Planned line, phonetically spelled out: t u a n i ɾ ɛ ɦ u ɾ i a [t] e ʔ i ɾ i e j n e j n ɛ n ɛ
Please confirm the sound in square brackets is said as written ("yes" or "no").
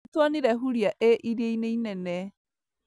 no